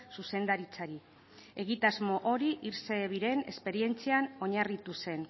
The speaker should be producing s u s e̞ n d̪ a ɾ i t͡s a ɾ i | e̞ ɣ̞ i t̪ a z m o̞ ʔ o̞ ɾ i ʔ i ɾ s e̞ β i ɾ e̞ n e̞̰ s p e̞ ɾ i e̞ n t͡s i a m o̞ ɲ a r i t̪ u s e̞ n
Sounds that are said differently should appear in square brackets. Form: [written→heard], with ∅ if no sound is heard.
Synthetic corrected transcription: s u s e̞ n d̪ a ɾ i t͡s a ɾ i | e̞ ɣ̞ i t̪ a z m o̞ ʔ o̞ ɾ i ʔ i ɾ s e̞ β i ɾ e̞ n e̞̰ s p e̞ ɾ i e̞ n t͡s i a [m→n] o̞ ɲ a r i t̪ u s e̞ n